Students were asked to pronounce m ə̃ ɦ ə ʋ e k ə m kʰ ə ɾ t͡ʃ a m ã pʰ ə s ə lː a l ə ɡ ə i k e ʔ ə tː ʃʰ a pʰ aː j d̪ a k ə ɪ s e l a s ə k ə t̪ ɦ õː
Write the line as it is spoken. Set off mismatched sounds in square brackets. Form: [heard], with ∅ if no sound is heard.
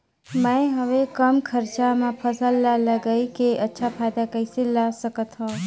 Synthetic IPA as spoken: m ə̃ ɦ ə ʋ e k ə m kʰ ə ɾ t͡ʃ a m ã pʰ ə s ə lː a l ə ɡ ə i k e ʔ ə tː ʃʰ a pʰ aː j d̪ a k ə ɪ s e l a s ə k ə t̪ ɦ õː

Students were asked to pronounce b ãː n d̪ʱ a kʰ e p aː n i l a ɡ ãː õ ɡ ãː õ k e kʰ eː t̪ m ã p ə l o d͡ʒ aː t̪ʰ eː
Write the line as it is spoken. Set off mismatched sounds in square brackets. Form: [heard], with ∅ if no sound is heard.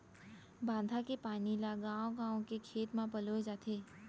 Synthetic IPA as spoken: b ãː n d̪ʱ a [k] e p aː n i l a ɡ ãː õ ɡ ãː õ k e kʰ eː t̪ m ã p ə l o d͡ʒ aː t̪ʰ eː

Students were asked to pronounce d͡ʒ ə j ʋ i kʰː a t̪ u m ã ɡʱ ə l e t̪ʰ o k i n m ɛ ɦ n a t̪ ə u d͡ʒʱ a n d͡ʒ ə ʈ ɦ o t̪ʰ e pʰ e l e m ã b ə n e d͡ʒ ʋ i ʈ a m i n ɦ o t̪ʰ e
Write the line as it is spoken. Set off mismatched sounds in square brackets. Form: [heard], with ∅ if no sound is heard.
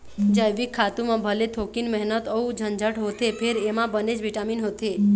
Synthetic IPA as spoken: d͡ʒ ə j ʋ i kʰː a t̪ u m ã [bʱ] ə l e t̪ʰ o k i n m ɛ ɦ n [ə] t̪ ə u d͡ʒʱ [ə] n d͡ʒ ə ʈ ɦ o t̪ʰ e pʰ e [ɾ] e m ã b ə n e d͡ʒ ʋ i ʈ a m i n ɦ o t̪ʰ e

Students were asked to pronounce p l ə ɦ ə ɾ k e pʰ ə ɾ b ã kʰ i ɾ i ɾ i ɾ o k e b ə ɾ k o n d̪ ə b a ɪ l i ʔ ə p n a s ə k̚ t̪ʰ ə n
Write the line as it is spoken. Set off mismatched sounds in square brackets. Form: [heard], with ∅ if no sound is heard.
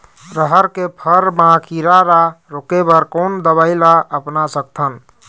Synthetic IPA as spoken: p [ɾ] ə ɦ ə ɾ k e pʰ ə ɾ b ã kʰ i ɾ [a] ɾ [a] ɾ o k e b ə ɾ k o n d̪ ə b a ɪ l [a] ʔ ə p n a s ə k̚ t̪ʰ ə n

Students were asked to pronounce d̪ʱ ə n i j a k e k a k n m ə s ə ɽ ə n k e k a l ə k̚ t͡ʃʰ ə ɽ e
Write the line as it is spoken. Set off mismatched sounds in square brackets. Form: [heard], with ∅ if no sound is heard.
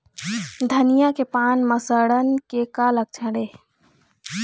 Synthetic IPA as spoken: d̪ʱ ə n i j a k e [p] a [∅] n m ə s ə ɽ ə n k e k a l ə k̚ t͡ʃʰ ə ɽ e

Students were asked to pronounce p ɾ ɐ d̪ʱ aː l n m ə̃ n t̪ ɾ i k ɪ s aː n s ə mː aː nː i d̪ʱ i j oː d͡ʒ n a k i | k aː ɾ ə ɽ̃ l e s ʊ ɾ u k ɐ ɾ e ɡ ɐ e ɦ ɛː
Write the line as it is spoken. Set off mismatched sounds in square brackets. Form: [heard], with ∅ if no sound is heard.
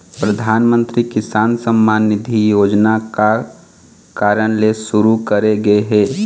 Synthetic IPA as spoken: p ɾ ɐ d̪ʱ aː [∅] n m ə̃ n t̪ ɾ i k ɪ s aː n s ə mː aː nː [ɪ] d̪ʱ i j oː d͡ʒ n a k [a] | k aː ɾ ə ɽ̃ l e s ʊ ɾ u k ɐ ɾ e ɡ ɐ e ɦ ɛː

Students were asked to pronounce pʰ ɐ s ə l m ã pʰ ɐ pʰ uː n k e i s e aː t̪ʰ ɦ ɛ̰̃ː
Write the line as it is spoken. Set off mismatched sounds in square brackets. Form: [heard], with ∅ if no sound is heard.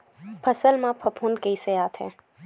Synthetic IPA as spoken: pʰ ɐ s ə l m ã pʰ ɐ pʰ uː n k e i s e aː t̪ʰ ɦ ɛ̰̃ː

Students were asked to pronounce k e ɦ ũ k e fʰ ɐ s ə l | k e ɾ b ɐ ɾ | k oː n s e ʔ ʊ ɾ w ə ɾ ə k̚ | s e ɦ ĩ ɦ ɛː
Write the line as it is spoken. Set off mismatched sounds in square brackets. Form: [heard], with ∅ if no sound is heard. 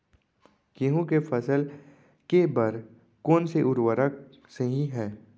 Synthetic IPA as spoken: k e ɦ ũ k e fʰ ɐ s ə l | k e [∅] b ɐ ɾ | k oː n s e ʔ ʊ ɾ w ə ɾ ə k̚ | s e ɦ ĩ ɦ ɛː

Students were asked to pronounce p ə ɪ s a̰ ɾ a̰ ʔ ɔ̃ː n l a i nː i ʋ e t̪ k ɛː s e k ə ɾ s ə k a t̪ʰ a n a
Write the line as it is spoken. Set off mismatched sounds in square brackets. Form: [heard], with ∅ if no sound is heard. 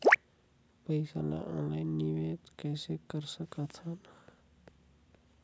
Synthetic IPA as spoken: p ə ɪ s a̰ [l] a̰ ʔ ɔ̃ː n l a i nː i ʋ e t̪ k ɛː s e k ə ɾ s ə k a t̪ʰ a n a

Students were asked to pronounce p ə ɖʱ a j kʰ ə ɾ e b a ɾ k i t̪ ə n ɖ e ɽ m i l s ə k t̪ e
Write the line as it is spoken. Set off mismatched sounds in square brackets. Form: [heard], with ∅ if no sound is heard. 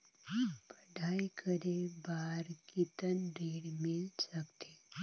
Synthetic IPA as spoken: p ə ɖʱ a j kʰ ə ɾ e b a ɾ k i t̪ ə n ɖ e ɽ m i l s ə k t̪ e

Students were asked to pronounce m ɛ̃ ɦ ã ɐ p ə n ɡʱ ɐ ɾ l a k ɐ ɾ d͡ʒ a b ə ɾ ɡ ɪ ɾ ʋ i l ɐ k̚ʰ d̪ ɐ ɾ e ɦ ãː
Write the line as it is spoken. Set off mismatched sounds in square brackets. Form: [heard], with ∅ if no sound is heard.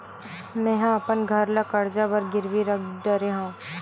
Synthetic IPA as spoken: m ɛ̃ ɦ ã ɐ p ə n ɡʱ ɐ ɾ l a k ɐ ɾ d͡ʒ a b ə ɾ ɡ ɪ ɾ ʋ i [ɾ] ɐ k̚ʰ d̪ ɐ ɾ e ɦ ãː

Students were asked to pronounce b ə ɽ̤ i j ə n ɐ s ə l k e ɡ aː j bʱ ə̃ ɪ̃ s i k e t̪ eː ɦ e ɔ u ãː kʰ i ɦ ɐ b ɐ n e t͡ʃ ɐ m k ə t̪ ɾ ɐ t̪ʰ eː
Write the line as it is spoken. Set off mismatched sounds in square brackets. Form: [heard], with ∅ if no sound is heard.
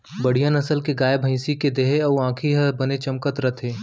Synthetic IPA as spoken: b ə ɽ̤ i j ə n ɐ s ə l k e ɡ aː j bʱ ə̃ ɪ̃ s i k e [d̪] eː ɦ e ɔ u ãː kʰ i ɦ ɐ b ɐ n e t͡ʃ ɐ m k ə t̪ ɾ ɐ t̪ʰ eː

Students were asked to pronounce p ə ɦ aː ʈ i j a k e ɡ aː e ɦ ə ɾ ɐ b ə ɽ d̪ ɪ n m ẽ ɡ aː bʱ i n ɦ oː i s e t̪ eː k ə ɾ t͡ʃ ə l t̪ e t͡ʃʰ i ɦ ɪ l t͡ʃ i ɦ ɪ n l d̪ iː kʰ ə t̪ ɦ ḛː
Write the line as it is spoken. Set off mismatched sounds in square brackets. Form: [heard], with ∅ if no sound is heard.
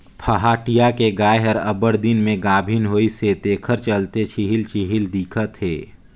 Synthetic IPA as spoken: [pʰ] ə ɦ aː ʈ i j a k e ɡ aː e ɦ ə ɾ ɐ b ə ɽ d̪ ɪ n m ẽ ɡ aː bʱ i n ɦ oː i s e t̪ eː [kʰ] ə ɾ t͡ʃ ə l t̪ e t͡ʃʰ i ɦ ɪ l t͡ʃ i ɦ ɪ [∅] l d̪ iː kʰ ə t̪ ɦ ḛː

